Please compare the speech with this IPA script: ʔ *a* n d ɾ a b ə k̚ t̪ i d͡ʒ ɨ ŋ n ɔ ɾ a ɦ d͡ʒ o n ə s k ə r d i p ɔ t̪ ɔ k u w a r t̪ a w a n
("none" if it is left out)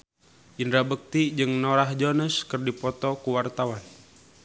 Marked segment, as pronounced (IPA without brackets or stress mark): i